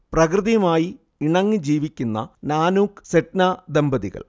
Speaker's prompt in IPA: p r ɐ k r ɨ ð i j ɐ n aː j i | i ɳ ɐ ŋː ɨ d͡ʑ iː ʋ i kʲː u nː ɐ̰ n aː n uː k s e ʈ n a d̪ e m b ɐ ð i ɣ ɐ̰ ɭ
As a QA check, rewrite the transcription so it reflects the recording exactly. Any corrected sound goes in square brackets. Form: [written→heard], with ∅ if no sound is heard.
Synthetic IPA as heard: p r ɐ k r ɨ ð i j ɐ [n→m] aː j i | i ɳ ɐ ŋː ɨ d͡ʑ iː ʋ i kʲː u nː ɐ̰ n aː n uː k s e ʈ n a d̪ e m b ɐ ð i ɣ ɐ̰ ɭ